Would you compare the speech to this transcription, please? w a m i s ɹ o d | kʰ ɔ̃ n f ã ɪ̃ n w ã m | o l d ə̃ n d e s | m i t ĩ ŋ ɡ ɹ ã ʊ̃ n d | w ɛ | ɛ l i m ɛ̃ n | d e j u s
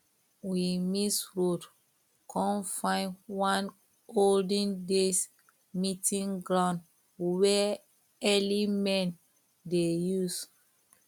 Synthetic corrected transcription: w i m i s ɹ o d | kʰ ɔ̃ n f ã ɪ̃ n w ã n | o l d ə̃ n d e s | m i t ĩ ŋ ɡ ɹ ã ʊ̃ n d | w ɛ | ɛ l i m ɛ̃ n | d e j u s